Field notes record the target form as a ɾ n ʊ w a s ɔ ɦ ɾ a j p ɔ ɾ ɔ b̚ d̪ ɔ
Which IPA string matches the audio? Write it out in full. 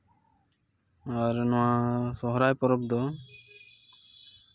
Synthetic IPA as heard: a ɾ n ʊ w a s ɔ ɦ ɾ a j p ɔ ɾ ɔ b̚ d̪ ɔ